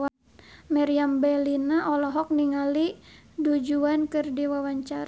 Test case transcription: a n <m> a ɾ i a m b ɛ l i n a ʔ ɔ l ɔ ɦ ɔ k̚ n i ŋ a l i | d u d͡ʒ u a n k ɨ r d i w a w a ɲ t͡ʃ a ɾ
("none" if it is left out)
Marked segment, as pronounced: m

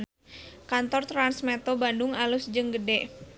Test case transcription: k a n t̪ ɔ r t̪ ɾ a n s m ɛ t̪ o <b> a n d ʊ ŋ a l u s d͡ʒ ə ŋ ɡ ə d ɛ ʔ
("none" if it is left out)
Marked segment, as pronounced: b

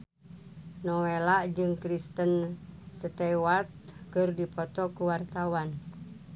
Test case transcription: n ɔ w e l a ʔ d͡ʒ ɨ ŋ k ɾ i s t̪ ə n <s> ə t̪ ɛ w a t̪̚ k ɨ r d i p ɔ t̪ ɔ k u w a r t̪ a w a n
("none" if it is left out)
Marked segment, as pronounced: s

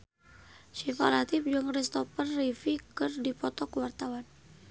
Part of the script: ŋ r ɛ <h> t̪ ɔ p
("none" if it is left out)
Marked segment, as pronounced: s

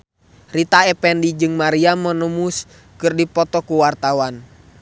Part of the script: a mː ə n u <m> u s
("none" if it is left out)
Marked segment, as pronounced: m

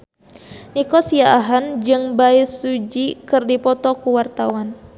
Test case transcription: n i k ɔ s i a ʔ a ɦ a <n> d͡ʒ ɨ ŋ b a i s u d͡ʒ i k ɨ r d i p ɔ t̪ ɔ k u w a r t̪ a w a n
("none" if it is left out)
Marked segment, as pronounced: n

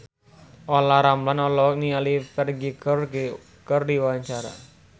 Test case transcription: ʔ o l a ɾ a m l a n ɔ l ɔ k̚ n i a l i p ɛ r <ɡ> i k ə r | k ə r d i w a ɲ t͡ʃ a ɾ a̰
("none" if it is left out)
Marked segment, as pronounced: ɡ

